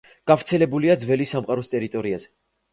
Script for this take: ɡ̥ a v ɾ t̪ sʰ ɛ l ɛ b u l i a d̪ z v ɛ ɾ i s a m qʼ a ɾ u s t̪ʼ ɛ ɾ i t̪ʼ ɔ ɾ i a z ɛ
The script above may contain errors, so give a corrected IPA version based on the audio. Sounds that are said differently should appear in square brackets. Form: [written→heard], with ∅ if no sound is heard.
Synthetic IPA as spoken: ɡ̥ a v ɾ t̪ sʰ ɛ l ɛ b u l i a d̪ z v ɛ [ɾ→l] i s a m qʼ a ɾ [u→ɔ] s t̪ʼ ɛ ɾ i t̪ʼ ɔ ɾ i a z ɛ